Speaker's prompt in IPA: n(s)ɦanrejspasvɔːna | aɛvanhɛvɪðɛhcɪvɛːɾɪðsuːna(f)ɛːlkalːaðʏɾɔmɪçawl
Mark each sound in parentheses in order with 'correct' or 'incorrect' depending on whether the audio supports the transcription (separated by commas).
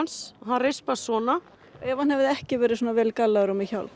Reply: correct, incorrect